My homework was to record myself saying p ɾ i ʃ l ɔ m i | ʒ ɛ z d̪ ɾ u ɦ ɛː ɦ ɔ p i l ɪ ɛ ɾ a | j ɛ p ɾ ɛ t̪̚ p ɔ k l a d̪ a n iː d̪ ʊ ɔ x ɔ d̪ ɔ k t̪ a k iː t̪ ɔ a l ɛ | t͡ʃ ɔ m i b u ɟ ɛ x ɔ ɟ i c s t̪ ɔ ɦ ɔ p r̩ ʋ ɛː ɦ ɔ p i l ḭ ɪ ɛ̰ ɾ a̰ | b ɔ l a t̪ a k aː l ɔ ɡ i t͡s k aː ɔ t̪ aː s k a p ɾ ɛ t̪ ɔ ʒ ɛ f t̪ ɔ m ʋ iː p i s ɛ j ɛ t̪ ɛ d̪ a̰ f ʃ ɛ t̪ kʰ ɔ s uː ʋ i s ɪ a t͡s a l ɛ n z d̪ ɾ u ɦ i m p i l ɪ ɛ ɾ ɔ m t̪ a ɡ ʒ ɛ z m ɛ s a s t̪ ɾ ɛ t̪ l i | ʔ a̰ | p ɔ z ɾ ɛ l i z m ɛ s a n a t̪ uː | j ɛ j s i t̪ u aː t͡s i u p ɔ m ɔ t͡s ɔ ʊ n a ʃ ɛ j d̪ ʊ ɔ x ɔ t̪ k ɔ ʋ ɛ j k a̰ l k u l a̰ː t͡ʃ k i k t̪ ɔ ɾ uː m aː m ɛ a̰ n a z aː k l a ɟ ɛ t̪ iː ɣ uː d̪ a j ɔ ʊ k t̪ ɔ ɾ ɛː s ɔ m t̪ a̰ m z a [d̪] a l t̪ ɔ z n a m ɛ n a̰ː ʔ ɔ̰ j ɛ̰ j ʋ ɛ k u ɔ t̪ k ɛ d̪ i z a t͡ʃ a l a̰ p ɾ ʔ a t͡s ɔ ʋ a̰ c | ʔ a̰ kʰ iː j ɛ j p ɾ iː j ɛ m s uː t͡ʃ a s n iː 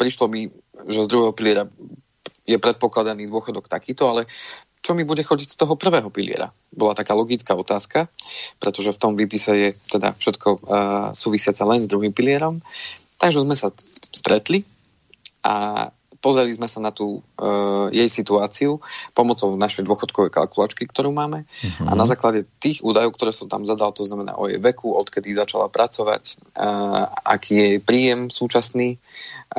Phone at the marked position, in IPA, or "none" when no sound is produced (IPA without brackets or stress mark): d̪